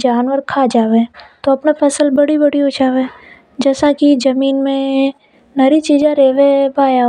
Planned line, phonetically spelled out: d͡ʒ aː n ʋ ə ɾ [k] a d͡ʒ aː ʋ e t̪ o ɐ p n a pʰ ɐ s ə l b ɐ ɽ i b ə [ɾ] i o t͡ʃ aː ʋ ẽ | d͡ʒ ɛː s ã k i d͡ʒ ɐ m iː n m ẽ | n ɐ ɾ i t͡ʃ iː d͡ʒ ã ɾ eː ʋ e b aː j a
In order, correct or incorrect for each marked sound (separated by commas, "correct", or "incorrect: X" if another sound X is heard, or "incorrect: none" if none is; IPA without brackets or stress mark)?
incorrect: kʰ, incorrect: ɽ